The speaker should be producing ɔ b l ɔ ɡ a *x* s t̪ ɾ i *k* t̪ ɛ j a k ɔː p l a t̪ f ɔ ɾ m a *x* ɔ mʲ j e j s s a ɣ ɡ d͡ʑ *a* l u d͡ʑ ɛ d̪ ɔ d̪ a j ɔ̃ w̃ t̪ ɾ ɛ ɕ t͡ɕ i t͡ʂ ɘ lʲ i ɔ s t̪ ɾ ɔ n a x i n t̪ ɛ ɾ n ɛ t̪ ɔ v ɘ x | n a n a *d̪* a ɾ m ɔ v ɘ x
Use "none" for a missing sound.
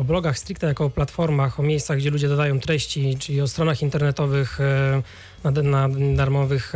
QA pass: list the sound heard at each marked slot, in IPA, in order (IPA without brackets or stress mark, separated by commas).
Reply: x, k, x, ɛ, d̪